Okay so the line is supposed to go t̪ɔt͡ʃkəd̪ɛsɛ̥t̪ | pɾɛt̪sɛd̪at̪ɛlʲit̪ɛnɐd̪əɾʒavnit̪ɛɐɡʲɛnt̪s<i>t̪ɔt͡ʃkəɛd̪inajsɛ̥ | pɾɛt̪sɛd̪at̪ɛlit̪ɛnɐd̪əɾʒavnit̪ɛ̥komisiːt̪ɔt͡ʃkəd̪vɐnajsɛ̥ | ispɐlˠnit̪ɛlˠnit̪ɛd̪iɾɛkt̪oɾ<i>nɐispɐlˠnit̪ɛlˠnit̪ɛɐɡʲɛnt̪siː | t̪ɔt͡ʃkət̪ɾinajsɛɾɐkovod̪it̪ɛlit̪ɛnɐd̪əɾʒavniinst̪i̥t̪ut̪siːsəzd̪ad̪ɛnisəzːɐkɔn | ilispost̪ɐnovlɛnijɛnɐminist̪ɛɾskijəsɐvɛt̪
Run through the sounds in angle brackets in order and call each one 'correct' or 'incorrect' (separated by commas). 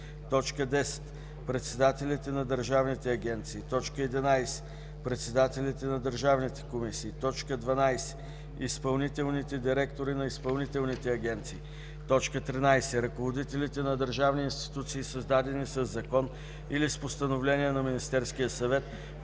incorrect, correct